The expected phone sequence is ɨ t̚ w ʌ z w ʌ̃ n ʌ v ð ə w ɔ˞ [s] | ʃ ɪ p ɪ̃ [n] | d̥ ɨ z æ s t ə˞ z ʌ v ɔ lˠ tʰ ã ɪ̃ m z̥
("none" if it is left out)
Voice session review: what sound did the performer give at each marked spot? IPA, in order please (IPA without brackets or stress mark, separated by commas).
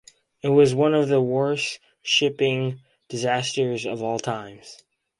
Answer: s, ŋ